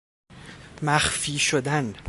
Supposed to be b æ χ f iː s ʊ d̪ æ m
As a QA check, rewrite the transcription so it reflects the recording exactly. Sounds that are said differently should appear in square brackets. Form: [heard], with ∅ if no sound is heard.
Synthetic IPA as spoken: [m] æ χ f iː [ʃ] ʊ d̪ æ [n]